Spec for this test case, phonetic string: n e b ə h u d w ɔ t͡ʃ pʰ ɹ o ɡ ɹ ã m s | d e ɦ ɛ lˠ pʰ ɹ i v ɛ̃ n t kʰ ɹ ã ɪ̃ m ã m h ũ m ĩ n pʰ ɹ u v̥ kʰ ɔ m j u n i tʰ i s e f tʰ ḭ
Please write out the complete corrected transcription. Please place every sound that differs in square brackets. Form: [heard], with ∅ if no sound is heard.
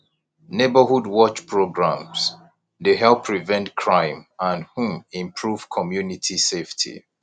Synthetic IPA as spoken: n e b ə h u d w ɔ t͡ʃ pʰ ɹ o ɡ ɹ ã m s | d e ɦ ɛ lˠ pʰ ɹ i v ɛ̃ n t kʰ ɹ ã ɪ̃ m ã [n] h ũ m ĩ [m] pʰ ɹ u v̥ kʰ ɔ m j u n i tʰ i s e f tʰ ḭ